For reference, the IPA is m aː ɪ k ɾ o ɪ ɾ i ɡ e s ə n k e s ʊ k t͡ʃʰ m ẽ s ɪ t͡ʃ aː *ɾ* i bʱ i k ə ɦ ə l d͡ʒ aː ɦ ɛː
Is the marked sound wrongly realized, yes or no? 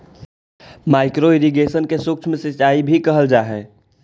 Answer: yes